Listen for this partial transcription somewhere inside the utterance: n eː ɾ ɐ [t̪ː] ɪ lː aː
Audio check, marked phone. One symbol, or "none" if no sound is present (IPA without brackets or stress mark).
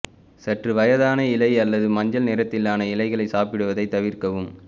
t̪ː